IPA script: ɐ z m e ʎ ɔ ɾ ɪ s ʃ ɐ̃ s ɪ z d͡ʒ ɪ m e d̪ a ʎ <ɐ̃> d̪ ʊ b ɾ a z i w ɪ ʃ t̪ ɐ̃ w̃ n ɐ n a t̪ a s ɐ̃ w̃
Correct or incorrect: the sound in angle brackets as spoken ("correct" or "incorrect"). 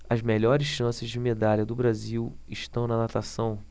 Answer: incorrect